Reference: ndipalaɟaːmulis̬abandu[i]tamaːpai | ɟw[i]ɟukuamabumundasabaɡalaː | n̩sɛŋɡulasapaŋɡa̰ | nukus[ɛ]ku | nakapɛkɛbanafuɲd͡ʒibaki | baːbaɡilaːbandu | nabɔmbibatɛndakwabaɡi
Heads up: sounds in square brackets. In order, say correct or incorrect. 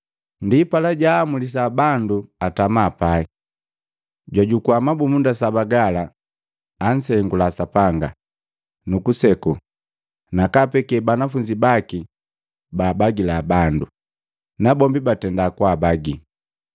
incorrect, incorrect, correct

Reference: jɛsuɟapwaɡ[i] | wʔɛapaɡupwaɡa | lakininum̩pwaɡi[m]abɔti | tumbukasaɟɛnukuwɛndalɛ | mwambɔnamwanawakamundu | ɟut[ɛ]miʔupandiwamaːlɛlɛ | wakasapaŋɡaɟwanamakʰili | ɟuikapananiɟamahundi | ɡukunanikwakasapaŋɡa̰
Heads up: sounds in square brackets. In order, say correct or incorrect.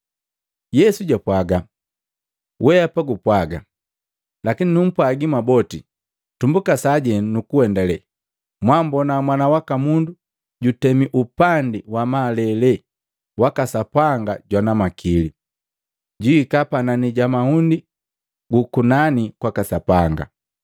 incorrect, correct, correct

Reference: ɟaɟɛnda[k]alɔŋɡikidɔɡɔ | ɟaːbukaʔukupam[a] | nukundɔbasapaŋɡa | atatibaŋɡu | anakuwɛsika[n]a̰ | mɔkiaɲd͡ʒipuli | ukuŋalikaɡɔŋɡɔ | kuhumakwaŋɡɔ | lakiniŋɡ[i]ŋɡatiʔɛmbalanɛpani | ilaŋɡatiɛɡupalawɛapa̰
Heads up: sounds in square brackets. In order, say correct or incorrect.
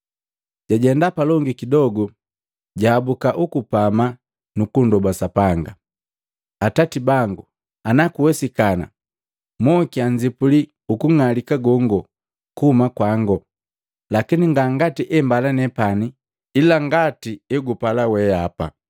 incorrect, correct, correct, incorrect

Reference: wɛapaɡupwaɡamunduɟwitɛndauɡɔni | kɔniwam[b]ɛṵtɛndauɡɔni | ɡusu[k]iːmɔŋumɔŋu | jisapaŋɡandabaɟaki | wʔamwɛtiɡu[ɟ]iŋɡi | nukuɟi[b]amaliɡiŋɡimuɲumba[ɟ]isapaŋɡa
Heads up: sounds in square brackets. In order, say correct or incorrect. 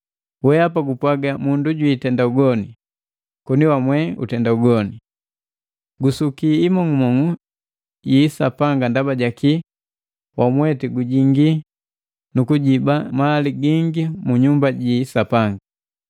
incorrect, correct, correct, correct, correct

